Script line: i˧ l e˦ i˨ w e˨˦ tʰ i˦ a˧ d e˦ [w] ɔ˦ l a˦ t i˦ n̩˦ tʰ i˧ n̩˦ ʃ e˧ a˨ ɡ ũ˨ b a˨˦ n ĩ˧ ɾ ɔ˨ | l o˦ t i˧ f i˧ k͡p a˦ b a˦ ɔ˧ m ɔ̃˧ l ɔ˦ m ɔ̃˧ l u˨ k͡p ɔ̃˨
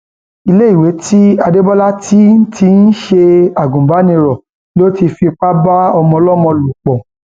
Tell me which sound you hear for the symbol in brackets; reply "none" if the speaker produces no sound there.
b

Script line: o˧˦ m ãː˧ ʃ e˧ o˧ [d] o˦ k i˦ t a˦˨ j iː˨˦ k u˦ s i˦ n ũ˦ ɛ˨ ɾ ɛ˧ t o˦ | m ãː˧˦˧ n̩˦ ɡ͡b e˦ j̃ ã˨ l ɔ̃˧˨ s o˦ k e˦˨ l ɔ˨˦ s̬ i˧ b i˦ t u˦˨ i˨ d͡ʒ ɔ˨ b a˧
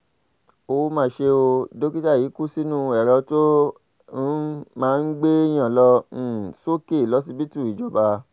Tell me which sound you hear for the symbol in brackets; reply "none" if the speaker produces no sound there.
d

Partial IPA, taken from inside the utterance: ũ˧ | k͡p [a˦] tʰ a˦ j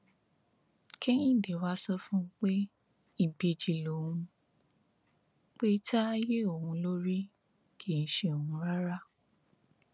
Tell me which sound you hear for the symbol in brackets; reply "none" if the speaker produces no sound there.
e˦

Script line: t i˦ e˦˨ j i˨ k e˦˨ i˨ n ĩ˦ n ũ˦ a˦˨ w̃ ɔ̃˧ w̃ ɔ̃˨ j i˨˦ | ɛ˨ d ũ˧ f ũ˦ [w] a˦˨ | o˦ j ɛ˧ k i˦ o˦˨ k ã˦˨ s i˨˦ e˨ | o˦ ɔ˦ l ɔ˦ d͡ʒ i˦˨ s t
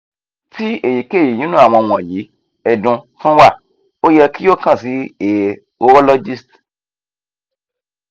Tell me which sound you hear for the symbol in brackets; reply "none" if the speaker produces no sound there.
w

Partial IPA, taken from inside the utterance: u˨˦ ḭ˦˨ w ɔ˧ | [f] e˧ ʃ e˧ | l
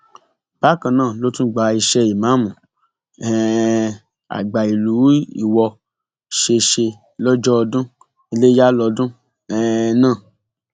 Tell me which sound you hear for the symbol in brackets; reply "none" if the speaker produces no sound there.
ʃ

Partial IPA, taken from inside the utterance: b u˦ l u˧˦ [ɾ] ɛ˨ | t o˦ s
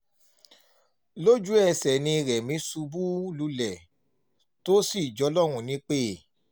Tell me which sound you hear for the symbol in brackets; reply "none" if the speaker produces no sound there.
l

